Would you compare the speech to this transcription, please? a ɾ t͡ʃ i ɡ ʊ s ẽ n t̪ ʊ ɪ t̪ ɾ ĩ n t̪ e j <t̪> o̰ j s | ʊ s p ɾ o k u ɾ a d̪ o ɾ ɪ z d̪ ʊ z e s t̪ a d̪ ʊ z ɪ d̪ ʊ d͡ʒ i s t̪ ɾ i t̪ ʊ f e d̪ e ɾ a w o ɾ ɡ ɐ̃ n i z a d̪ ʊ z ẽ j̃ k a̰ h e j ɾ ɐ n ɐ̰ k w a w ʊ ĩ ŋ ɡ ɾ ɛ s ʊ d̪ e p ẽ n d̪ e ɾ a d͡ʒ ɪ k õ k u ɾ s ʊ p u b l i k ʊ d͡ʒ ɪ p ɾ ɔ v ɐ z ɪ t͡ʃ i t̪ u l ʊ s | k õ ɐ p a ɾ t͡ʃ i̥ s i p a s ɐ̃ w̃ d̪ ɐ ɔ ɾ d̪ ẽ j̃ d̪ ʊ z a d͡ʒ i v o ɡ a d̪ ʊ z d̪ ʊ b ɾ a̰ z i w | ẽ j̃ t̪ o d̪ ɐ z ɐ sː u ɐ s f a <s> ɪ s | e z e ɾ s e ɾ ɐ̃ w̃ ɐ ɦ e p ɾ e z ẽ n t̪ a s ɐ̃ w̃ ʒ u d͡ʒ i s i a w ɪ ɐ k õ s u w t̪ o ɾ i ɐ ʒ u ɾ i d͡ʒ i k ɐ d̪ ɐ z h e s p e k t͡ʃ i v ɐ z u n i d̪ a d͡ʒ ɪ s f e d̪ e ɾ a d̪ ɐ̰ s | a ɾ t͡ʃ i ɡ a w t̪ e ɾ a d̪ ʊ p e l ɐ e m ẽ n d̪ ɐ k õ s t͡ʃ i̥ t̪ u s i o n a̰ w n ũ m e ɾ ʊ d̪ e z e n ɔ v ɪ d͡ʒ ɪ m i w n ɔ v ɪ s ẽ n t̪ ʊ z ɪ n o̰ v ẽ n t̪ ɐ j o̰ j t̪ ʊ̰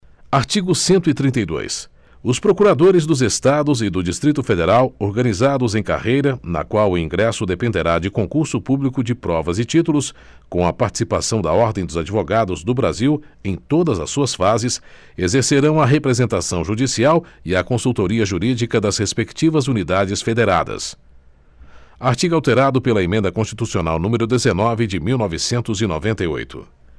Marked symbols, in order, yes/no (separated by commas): no, no